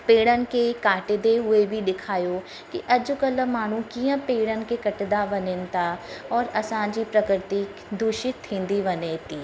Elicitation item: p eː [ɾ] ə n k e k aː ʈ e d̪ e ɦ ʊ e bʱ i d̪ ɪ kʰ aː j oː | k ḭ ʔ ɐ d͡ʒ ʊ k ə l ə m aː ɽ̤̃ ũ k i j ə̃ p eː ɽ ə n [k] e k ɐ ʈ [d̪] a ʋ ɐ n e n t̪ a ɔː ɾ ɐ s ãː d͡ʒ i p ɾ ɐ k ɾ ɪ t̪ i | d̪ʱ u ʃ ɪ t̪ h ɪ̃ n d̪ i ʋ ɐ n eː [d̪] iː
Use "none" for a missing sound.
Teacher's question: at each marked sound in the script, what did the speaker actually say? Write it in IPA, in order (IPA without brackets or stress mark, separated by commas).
ɽ, k, d̪, t̪